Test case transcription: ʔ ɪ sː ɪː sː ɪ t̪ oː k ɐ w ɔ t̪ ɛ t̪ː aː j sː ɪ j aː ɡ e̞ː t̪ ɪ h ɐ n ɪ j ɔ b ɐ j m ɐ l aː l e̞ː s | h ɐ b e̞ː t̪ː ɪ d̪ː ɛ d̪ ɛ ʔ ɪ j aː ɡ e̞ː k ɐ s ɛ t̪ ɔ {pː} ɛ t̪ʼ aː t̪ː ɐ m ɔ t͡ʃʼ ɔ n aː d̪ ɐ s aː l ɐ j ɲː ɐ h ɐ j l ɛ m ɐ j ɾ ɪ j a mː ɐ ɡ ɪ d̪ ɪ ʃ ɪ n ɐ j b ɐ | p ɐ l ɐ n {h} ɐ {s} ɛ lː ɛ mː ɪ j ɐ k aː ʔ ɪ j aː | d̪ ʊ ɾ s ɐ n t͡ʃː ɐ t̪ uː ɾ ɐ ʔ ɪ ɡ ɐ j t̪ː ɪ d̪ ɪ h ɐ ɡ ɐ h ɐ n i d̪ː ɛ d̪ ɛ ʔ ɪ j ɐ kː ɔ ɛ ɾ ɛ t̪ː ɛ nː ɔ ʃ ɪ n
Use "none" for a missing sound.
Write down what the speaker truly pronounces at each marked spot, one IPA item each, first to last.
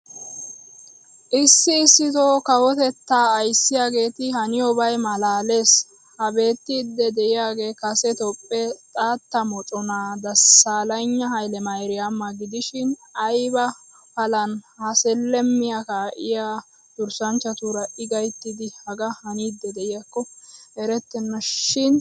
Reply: pʼː, h, s

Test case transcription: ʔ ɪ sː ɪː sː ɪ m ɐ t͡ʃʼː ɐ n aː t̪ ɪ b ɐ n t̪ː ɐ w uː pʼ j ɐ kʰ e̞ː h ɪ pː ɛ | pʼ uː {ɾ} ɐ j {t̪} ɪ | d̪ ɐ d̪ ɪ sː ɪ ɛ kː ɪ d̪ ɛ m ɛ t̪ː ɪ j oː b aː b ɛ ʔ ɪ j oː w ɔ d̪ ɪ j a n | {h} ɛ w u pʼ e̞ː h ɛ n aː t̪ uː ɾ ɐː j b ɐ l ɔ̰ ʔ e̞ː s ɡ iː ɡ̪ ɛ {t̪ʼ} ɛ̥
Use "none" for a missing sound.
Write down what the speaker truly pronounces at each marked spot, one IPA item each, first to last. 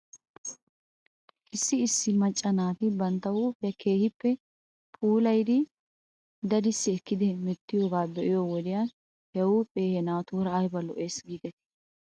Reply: l, d̪, h, t̪

